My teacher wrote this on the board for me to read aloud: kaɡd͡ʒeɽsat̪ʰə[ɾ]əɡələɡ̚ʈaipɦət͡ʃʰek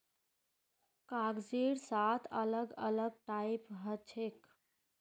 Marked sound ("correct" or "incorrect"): incorrect